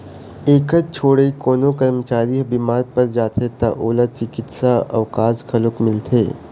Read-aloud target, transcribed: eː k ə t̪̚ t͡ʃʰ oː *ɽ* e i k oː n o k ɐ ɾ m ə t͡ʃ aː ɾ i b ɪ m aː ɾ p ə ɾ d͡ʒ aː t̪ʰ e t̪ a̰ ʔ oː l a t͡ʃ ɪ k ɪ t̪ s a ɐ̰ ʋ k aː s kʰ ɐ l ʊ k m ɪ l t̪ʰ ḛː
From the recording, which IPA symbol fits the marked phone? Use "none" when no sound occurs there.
ɽ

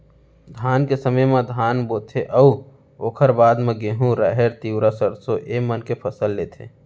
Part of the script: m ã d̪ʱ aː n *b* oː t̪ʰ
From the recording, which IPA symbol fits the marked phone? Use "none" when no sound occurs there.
b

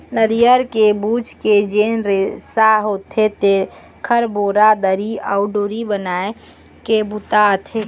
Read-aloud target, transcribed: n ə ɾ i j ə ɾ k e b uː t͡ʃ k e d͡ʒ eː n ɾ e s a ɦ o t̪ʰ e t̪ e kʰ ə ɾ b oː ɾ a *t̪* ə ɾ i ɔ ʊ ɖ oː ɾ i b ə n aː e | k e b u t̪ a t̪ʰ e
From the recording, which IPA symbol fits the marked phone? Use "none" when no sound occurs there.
d̪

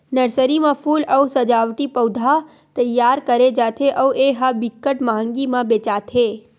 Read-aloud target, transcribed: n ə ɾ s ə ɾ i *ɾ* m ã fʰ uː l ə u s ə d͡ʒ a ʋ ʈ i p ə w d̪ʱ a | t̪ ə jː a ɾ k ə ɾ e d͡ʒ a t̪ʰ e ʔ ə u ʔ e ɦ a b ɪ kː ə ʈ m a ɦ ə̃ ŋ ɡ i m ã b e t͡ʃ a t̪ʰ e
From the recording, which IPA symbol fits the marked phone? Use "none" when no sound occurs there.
none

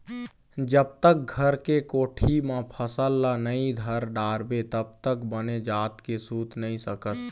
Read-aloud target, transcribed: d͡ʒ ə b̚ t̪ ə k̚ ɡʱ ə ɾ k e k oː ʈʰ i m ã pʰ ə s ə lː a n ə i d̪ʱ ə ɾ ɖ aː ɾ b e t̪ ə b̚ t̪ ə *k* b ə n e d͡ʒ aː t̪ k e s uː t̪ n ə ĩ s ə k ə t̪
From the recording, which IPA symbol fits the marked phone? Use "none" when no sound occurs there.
k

